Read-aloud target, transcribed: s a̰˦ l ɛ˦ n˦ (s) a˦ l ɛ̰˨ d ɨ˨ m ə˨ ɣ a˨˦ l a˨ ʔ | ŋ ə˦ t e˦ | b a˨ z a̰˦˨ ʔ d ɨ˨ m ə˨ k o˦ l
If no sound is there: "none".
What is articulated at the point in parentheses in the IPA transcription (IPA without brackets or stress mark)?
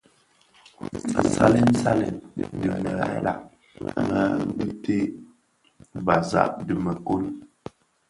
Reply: s